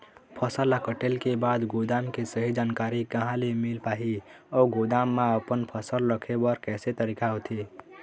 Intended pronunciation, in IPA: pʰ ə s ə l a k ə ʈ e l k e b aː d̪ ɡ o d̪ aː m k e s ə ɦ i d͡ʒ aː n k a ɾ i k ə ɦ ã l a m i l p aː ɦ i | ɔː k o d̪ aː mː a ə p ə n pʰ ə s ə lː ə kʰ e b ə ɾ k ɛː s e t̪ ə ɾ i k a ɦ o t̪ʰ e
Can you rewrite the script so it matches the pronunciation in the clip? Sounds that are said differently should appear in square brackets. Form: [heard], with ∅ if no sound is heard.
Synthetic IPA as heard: pʰ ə s ə l a k ə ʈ e l k e b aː d̪ ɡ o d̪ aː m k e s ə ɦ i d͡ʒ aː n k a ɾ i k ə ɦ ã l [e] m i l p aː ɦ i | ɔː [ɡ] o d̪ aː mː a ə p ə n pʰ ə s ə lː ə kʰ e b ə ɾ k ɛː s e t̪ ə ɾ i k a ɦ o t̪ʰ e